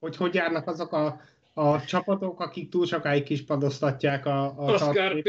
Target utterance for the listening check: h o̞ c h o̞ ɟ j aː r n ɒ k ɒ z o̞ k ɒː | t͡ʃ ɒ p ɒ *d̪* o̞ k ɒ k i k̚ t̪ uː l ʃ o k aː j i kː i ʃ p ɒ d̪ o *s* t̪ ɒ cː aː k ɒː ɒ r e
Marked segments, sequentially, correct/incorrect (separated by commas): incorrect, correct